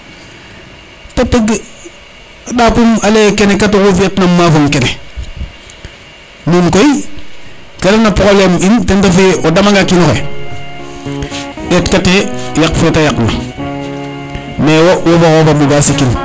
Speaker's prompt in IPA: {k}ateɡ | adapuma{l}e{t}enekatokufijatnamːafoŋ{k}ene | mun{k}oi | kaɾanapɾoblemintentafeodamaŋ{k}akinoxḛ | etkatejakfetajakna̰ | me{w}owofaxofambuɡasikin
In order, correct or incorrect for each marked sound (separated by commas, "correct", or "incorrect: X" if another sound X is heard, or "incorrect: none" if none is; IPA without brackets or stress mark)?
incorrect: t, correct, incorrect: k, correct, correct, incorrect: ɡ, correct